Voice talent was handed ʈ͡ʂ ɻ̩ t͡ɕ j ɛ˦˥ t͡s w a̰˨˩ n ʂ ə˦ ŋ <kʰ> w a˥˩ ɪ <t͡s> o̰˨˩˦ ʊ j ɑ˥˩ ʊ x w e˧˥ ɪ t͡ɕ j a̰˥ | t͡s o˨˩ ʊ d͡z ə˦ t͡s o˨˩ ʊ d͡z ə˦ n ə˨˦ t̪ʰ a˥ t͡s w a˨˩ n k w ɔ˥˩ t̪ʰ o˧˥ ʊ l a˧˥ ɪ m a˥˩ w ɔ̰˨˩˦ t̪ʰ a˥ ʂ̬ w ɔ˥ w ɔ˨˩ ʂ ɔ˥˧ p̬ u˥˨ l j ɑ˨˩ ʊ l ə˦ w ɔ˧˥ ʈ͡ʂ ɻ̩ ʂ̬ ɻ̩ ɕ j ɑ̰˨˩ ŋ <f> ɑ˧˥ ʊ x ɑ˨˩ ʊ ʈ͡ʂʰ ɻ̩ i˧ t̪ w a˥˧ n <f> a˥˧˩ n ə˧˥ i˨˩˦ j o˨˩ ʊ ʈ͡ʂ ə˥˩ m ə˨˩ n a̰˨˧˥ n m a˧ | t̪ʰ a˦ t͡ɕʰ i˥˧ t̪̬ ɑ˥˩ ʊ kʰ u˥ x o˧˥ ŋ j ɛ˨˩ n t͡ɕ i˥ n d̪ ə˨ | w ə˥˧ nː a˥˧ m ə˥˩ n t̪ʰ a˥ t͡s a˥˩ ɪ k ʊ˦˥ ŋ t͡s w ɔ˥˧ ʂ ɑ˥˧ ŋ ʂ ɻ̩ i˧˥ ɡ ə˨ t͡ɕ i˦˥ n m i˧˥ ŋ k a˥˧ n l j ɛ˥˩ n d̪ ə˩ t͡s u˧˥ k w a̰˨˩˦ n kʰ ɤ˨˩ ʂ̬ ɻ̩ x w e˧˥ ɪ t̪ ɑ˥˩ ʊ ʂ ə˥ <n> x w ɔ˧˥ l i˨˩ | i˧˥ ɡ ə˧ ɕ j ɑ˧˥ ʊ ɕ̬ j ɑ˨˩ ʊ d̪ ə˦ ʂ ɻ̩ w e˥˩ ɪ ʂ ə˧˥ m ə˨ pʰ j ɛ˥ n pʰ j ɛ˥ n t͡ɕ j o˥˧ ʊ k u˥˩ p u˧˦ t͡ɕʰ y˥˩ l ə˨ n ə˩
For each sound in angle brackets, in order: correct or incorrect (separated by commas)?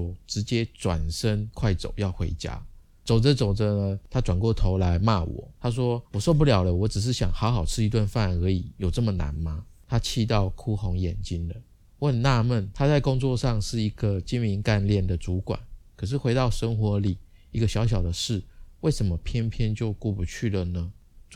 correct, correct, incorrect, correct, incorrect